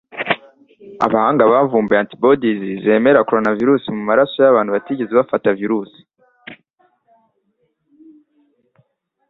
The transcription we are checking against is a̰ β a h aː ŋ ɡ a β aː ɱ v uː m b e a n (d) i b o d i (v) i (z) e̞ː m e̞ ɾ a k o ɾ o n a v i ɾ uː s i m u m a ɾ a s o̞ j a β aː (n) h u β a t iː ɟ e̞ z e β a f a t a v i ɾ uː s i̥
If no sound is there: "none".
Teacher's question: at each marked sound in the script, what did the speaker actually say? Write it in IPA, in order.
t, z, z, n

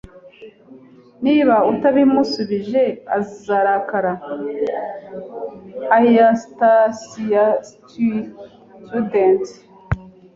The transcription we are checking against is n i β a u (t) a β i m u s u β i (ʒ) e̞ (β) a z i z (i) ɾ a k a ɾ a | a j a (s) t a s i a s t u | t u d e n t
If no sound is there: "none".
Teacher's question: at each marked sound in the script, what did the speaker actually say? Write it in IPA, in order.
t, ʒ, none, a, s

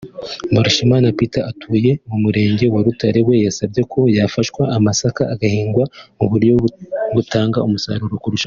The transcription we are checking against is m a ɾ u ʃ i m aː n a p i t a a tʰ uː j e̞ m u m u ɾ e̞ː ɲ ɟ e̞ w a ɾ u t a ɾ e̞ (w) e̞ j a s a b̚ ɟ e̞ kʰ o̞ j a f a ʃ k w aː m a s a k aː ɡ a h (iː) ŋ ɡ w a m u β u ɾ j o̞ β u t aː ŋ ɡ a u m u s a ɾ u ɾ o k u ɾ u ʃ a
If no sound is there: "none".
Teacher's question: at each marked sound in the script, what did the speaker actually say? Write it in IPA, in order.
w, iː

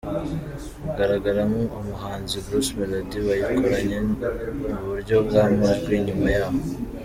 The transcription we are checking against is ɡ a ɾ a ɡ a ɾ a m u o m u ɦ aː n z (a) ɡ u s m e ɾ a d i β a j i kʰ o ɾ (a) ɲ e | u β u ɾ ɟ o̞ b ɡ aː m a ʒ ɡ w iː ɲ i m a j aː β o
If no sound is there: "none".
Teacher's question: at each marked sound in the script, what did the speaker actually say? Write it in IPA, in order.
i, a

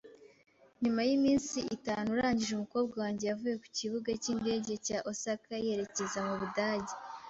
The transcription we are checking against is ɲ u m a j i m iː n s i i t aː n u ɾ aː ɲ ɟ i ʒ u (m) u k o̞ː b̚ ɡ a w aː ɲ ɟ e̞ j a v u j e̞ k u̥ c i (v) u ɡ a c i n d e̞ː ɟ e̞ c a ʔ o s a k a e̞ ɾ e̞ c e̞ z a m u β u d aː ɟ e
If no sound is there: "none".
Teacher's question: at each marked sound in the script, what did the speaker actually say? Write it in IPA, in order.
m, β

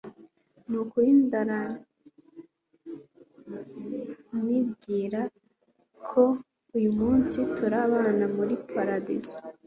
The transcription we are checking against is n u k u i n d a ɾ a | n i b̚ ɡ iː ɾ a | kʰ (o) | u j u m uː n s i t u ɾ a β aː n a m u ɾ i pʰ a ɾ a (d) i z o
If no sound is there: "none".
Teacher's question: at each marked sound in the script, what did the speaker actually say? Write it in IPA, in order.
o, d

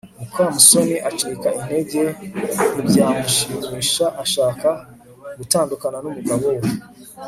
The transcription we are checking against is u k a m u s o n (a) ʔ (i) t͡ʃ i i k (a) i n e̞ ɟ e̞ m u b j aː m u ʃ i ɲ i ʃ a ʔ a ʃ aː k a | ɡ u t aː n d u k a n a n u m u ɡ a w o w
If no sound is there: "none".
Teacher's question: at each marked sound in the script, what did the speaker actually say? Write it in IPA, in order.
i, a, a

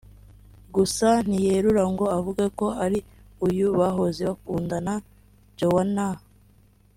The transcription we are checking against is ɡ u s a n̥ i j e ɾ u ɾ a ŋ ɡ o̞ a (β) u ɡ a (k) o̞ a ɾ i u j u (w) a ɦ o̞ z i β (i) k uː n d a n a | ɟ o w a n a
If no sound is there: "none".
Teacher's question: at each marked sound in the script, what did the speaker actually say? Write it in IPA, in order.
v, k, β, a

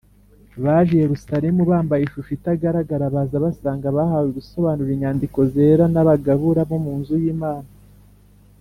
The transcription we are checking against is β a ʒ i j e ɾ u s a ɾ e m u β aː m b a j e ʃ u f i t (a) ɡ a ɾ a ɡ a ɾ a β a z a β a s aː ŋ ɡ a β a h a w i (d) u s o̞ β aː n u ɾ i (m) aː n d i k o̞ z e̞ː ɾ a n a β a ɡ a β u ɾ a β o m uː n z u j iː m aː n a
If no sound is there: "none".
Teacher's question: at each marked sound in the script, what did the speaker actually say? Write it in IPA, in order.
a, ɡ, ɲ

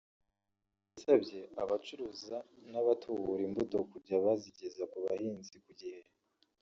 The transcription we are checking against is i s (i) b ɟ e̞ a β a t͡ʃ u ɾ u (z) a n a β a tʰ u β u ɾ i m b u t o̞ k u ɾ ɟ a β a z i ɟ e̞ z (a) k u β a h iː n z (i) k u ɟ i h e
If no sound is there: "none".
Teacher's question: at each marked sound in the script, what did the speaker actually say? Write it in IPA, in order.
a, z, a, i

